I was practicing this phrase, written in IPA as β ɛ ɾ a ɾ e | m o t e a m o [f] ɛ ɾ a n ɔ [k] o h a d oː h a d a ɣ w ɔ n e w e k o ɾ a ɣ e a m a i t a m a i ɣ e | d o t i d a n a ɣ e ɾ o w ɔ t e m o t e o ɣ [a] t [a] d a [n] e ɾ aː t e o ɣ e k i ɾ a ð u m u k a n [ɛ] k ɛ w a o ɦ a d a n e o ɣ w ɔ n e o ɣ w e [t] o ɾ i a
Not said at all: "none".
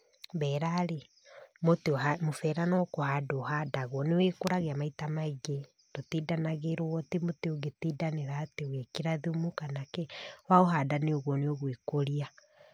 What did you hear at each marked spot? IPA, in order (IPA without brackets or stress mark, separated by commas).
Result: f, k, e, i, n, a, k